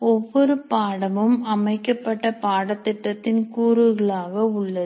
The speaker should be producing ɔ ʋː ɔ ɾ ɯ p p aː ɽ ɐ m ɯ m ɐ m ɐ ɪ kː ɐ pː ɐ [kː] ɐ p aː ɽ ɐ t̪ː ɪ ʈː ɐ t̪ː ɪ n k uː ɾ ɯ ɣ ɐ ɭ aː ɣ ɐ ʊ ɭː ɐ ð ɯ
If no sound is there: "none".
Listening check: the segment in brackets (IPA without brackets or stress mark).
ʈː